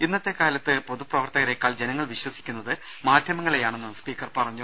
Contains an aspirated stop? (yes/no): no